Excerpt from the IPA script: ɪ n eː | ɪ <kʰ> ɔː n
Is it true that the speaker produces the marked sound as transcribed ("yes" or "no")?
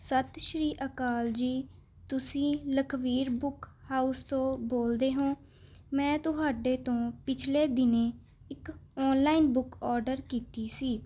no